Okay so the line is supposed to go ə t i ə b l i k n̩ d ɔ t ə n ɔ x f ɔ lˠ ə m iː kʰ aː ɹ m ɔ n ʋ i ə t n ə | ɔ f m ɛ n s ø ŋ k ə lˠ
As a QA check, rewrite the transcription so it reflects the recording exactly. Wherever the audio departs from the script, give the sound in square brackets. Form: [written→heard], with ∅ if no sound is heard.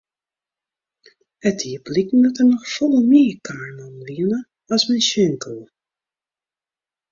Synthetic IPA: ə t i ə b l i k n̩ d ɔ t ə n ɔ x f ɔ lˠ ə m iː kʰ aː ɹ [m→n] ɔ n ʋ i ə [t→∅] n ə | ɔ [f→s] m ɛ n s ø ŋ k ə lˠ